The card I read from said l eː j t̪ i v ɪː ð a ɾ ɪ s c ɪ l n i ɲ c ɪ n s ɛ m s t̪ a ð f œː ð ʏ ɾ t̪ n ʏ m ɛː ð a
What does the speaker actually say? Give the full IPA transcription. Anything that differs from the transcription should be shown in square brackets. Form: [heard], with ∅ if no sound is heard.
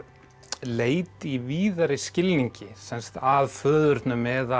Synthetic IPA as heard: l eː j t̪ i v [iː] ð a ɾ ɪ s c ɪ l n i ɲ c ɪ [∅] s ɛ [n] s t̪ a ð f œː ð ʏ ɾ t̪ n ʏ m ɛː ð a